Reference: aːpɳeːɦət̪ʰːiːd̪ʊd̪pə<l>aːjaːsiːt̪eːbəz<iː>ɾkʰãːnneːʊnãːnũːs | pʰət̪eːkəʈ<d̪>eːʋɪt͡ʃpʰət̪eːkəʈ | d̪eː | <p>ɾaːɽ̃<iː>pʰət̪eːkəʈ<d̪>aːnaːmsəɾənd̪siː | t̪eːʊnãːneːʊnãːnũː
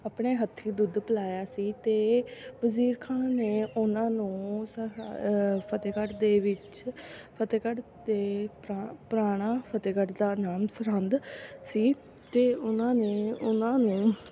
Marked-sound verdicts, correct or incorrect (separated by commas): correct, correct, correct, correct, incorrect, correct